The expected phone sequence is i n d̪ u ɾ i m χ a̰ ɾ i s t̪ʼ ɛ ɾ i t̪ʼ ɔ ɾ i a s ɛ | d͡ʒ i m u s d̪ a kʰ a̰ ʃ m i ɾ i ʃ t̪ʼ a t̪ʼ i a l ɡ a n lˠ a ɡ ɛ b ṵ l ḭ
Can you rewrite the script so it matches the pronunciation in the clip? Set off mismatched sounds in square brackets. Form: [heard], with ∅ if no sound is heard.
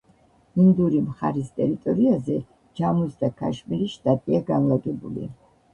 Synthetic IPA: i n d̪ u ɾ i m χ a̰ ɾ i s t̪ʼ ɛ ɾ i t̪ʼ ɔ ɾ i a [z] ɛ | d͡ʒ [a] m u s d̪ a kʰ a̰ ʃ m i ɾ i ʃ t̪ʼ a t̪ʼ i a [∅] ɡ a n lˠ a ɡ ɛ b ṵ l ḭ